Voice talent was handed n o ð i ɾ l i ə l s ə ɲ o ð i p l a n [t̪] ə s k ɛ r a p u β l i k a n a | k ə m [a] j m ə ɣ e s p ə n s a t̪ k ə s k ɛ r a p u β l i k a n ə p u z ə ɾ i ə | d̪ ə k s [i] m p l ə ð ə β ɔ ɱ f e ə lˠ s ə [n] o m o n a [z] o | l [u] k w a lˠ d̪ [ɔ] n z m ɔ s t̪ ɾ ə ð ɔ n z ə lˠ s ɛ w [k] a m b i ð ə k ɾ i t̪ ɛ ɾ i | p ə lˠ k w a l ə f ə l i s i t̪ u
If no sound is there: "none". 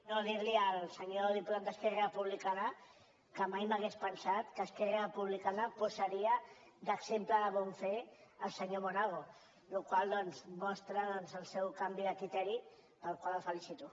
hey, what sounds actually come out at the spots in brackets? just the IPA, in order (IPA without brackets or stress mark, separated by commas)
d̪, a, e, ɲ, ɣ, u, ɔ, k